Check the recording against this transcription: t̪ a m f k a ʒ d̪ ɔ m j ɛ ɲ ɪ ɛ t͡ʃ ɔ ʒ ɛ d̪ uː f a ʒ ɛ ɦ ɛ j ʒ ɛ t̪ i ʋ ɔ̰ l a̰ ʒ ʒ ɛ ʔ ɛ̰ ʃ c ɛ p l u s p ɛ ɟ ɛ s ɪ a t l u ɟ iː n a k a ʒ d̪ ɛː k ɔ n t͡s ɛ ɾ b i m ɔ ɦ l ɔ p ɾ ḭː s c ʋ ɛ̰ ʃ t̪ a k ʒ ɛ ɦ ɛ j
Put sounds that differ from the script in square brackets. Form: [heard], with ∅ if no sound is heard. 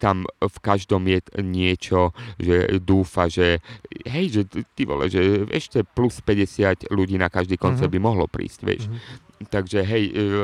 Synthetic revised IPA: t̪ a m f k a ʒ d̪ ɔ m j ɛ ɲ ɪ ɛ t͡ʃ ɔ ʒ ɛ d̪ uː f a ʒ ɛ ɦ ɛ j ʒ ɛ t̪ i ʋ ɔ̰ l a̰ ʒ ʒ ɛ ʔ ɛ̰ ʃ c ɛ p l u s p ɛ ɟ ɛ s ɪ a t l u ɟ iː n a k a ʒ d̪ [iː] k ɔ n t͡s ɛ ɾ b i m ɔ ɦ l ɔ p ɾ ḭː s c ʋ ɛ̰ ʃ t̪ a [ɡ] ʒ ɛ ɦ ɛ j